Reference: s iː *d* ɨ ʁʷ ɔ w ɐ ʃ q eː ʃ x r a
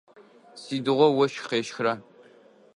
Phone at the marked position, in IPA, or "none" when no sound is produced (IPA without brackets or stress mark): d